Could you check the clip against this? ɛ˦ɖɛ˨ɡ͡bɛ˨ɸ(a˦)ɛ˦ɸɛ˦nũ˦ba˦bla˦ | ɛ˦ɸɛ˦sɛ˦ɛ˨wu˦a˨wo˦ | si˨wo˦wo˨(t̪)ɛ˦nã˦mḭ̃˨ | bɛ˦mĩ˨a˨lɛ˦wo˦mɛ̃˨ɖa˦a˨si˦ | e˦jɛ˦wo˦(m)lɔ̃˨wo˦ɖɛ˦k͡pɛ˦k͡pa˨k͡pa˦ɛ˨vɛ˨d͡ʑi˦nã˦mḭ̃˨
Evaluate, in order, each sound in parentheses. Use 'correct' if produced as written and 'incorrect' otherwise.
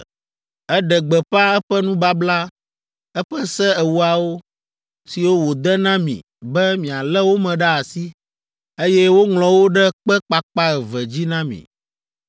correct, incorrect, incorrect

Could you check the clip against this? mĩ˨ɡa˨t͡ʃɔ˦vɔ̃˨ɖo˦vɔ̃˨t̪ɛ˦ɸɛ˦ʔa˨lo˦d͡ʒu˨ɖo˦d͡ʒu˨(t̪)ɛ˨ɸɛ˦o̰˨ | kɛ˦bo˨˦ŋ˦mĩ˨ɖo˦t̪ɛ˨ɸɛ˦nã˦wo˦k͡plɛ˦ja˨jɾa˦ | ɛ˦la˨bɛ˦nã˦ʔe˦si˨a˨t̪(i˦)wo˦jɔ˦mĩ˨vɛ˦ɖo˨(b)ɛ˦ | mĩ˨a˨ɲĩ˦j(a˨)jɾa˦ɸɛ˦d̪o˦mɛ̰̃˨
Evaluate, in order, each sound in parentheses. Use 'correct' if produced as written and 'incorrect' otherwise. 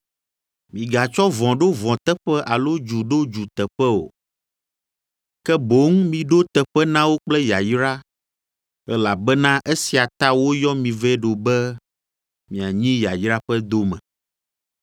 correct, incorrect, correct, correct

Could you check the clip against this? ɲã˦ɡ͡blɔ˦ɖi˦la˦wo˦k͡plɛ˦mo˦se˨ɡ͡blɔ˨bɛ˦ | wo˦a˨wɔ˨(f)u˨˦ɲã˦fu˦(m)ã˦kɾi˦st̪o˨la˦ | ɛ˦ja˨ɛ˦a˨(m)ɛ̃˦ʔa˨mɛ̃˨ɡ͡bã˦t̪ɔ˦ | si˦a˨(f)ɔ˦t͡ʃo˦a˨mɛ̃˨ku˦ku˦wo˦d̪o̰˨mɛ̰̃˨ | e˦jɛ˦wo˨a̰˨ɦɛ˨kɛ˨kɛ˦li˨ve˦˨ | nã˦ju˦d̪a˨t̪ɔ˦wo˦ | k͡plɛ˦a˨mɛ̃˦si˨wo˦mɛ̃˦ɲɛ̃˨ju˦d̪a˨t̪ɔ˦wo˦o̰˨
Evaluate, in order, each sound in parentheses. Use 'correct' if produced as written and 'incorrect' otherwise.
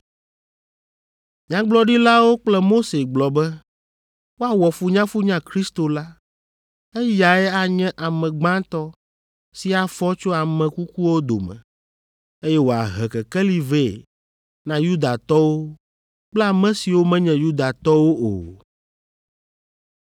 correct, incorrect, incorrect, correct

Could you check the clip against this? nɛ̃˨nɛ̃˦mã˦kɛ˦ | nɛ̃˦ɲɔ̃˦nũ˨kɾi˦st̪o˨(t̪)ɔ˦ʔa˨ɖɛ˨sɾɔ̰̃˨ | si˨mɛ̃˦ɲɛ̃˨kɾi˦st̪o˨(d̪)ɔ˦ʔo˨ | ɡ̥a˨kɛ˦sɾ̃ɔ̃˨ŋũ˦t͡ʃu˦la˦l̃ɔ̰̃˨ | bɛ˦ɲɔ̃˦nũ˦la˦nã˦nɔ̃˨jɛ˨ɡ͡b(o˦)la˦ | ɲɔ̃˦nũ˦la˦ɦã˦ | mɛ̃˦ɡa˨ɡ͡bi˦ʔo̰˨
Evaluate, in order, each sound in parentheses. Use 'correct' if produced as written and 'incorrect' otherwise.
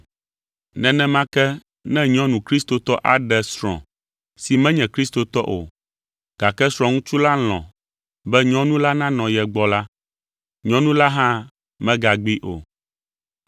correct, incorrect, incorrect

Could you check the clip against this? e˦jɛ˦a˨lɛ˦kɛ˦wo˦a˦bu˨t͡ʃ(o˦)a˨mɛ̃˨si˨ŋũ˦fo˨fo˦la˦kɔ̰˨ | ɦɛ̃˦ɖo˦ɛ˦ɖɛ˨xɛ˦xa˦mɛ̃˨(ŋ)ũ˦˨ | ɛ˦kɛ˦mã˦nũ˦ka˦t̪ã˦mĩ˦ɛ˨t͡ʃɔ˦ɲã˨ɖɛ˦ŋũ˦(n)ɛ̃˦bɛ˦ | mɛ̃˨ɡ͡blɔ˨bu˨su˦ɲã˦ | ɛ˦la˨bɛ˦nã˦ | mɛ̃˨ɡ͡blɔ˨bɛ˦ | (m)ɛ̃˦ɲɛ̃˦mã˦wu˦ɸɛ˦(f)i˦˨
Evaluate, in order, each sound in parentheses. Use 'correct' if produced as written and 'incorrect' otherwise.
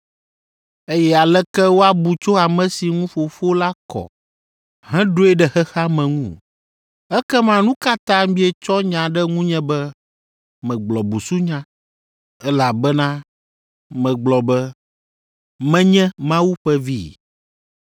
correct, correct, incorrect, correct, incorrect

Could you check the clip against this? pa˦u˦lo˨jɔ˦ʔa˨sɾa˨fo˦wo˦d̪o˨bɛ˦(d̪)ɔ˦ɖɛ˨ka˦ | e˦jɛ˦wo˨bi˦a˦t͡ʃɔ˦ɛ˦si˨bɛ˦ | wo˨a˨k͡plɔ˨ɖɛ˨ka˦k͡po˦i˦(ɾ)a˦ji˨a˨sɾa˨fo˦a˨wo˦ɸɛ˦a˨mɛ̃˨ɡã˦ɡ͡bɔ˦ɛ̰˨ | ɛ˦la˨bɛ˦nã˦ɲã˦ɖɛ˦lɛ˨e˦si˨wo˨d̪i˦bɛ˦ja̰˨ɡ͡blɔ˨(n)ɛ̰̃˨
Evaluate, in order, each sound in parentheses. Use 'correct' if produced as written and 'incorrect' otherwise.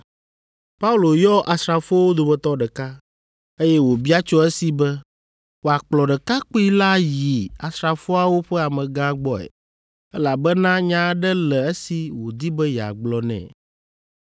incorrect, incorrect, correct

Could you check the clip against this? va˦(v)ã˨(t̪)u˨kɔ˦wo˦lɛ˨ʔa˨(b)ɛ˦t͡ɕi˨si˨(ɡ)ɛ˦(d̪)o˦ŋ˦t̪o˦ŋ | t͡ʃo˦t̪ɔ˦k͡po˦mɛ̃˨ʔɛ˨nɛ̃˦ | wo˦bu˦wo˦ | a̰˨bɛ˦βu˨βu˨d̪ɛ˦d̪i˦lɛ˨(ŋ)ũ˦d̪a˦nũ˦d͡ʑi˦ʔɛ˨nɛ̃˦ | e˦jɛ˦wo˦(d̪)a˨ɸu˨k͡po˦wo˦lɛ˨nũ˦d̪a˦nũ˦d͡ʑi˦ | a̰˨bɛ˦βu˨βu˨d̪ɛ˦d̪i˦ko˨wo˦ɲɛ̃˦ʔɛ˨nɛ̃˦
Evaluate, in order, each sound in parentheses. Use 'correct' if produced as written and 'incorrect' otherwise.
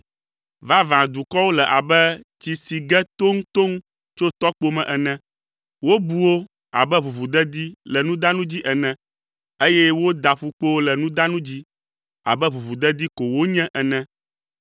correct, incorrect, correct, correct, incorrect, incorrect, correct

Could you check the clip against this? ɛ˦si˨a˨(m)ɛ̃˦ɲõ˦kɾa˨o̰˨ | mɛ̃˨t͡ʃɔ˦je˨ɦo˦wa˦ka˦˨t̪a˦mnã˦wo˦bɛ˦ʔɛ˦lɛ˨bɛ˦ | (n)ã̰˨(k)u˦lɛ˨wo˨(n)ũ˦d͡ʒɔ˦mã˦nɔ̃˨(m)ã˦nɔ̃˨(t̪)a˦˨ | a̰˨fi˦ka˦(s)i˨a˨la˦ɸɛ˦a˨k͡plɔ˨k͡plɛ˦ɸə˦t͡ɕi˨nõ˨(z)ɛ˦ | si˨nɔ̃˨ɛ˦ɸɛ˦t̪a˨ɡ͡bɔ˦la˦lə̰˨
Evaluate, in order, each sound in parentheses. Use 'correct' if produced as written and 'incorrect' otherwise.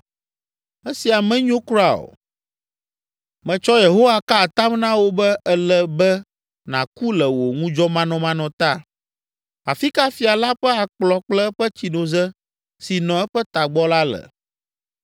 correct, correct, correct, incorrect, correct, correct, incorrect, correct

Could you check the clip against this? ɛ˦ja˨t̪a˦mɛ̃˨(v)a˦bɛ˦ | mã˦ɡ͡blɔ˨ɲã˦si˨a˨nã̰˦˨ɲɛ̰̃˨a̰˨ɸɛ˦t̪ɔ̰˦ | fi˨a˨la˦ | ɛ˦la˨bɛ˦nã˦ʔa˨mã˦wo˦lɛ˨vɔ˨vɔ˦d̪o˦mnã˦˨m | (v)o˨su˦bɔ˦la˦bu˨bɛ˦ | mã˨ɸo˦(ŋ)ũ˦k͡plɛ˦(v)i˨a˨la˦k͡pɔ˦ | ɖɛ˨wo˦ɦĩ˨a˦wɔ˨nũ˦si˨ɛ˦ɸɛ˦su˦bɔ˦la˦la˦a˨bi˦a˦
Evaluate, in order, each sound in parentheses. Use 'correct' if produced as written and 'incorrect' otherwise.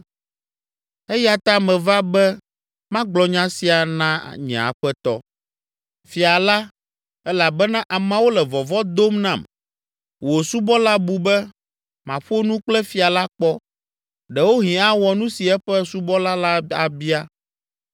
correct, incorrect, incorrect, incorrect

